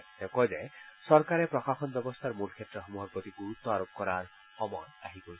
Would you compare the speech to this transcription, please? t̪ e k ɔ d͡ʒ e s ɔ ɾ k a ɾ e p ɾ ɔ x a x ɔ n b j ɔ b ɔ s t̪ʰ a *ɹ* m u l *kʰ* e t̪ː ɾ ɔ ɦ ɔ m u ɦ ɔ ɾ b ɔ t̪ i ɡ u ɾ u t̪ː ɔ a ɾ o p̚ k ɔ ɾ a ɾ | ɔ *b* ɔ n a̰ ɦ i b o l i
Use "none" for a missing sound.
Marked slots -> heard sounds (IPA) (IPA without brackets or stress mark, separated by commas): ɾ, kʰ, m